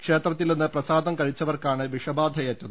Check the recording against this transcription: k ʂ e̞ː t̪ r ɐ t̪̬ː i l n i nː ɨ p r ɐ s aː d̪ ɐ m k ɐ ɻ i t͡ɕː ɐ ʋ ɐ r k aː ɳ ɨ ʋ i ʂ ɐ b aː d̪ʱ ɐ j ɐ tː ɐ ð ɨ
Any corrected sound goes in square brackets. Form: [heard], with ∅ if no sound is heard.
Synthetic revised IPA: k ʂ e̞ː t̪ r ɐ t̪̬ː i l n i nː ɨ p r ɐ s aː d̪ ɐ m k ɐ ɻ i t͡ɕː ɐ ʋ ɐ r k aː ɳ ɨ ʋ i ʂ ɐ b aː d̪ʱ ɐ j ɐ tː ɐ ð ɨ